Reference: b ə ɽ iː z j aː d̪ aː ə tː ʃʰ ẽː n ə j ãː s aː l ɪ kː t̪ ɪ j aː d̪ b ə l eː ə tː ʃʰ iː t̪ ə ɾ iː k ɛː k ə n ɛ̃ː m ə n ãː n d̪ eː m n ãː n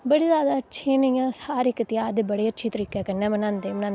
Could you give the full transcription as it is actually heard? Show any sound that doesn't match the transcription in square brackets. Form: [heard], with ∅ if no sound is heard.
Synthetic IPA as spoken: b ə ɽ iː z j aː d̪ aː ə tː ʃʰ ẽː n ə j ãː s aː [ɾ] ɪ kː t̪ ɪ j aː d̪ b ə [ɽ] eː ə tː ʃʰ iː t̪ ə ɾ iː k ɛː k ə n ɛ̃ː m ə n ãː n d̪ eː m n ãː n